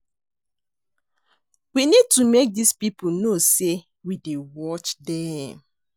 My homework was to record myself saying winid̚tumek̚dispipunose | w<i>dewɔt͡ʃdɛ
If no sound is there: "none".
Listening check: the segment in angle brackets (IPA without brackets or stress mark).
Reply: i